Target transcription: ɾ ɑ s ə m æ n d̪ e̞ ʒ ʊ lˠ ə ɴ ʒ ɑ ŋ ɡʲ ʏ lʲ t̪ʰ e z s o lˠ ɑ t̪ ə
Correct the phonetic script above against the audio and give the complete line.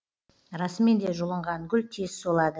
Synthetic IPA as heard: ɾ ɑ s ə m e n d̪ e̞ ʒ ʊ lˠ ə ɴ ʁ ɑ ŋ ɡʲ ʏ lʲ t̪ʰ e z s o lˠ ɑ d̪ ə